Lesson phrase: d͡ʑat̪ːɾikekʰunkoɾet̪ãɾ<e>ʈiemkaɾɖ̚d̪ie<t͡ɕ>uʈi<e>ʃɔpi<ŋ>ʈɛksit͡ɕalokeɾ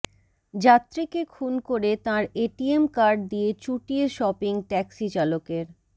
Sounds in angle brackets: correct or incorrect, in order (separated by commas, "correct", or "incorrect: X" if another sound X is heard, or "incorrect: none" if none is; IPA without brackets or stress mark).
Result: correct, correct, correct, correct